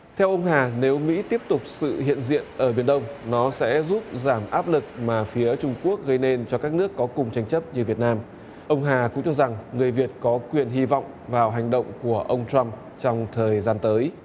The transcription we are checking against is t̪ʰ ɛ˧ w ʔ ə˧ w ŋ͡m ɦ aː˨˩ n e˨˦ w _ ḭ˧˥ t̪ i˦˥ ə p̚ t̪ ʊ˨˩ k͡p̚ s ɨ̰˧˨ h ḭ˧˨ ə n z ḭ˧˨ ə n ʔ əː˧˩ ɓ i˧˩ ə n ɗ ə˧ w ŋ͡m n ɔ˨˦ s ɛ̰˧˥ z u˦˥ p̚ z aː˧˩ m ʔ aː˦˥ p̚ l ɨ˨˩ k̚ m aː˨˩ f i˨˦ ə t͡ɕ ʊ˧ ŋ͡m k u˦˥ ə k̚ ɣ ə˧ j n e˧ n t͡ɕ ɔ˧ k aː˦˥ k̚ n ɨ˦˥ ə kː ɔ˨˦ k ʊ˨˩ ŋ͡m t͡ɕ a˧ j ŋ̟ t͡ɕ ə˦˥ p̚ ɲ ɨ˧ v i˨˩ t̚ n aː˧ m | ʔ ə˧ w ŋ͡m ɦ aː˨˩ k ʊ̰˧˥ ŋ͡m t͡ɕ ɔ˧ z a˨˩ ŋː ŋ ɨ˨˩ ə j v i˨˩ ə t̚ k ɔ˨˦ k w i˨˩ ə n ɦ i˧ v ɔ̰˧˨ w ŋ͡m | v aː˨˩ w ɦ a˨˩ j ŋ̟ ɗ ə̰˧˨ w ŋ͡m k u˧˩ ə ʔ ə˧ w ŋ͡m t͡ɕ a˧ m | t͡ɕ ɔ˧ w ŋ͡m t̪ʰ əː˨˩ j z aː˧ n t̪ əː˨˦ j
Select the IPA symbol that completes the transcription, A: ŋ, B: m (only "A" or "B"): B